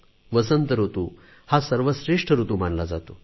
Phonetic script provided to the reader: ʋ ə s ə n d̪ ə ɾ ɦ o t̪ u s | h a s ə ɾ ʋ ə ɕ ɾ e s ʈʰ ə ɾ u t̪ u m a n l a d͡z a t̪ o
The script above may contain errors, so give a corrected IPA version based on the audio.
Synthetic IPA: ʋ ə s ə n t̪ ə ɾ ɦ o t̪ u | h a s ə ɾ ʋ ə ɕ ɾ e ʂ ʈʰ ə ɾ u t̪ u m a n l a d͡z a t̪ o